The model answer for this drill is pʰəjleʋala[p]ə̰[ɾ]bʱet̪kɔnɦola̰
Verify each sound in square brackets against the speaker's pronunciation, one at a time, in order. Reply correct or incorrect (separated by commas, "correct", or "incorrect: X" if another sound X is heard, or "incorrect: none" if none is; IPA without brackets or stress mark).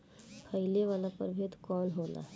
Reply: correct, correct